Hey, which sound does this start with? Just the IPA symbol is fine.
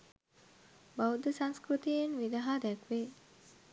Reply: b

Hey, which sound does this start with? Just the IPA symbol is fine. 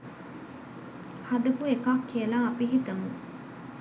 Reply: h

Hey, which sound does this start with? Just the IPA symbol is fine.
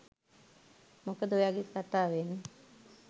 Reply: m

